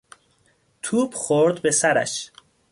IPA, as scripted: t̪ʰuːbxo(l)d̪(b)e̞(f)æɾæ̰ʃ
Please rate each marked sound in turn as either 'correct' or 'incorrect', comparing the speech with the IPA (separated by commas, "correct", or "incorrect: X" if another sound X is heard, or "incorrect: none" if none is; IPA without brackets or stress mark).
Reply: incorrect: ɾ, correct, incorrect: s